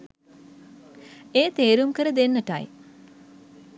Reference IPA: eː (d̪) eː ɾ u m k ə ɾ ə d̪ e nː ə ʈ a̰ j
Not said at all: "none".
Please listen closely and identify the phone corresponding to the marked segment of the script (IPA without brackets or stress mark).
t̪